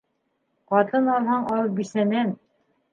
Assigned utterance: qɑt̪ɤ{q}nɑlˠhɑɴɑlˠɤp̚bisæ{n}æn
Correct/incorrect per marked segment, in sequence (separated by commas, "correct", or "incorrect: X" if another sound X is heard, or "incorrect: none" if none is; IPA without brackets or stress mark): incorrect: none, correct